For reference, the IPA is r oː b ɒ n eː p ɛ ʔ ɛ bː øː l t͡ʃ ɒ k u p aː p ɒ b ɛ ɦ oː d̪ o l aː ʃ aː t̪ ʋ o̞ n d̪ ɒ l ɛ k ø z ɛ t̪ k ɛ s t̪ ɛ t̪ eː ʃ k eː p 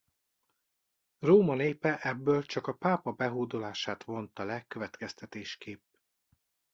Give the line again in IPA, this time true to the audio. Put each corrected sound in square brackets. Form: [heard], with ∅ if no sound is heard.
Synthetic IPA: r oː [m] ɒ n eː p ɛ ʔ ɛ bː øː l t͡ʃ ɒ k [ɒ] p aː p ɒ b ɛ ɦ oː d̪ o l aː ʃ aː t̪ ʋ o̞ n [t̪] ɒ l ɛ k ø [v] ɛ t̪ k ɛ s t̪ ɛ t̪ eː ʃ k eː p

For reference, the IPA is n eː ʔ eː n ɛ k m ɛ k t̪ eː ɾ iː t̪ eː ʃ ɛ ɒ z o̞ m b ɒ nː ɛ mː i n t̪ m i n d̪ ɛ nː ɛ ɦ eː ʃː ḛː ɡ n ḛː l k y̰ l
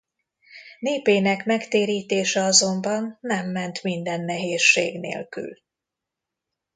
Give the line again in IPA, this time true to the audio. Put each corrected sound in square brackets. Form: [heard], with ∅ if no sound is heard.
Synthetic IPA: n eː [p] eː n ɛ k m ɛ k t̪ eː ɾ iː t̪ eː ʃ ɛ ɒ z o̞ m b ɒ nː ɛ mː [ɛ] n t̪ m i n d̪ ɛ nː ɛ ɦ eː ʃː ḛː ɡ n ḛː l k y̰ l

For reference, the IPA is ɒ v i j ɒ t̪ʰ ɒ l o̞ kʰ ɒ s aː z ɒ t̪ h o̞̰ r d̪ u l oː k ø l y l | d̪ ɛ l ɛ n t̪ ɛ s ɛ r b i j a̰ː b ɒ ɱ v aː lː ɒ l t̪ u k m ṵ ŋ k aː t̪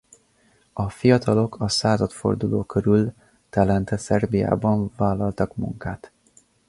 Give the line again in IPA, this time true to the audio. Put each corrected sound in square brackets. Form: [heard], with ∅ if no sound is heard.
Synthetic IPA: ɒ [f] i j ɒ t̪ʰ ɒ l o̞ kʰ ɒ s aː z ɒ t̪ [f] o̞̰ r d̪ u l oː k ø [ɾ] y l | [t̪] ɛ l ɛ n t̪ ɛ s ɛ r b i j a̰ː b ɒ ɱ v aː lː ɒ l t̪ [ɒ] k m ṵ ŋ k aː t̪

